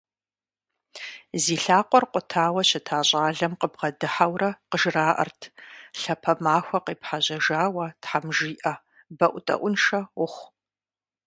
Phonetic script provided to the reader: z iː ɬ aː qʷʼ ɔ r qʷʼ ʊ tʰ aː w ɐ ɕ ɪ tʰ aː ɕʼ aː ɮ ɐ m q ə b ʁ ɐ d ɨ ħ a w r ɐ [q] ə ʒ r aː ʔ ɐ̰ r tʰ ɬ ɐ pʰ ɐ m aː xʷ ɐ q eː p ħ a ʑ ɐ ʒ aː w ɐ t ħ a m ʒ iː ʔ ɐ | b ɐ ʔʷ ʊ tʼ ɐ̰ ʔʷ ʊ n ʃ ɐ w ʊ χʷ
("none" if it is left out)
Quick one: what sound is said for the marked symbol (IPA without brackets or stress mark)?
q